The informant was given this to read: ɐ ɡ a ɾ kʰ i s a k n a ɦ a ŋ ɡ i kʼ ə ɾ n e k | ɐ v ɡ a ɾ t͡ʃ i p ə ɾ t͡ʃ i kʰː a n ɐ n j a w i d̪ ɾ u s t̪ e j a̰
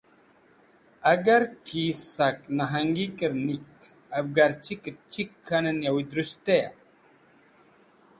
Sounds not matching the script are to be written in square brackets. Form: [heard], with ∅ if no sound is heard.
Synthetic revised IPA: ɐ ɡ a ɾ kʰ i s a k n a ɦ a ŋ ɡ i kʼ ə ɾ n [i] k | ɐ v ɡ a ɾ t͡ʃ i [k] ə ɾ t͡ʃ i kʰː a n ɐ n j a w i d̪ ɾ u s t̪ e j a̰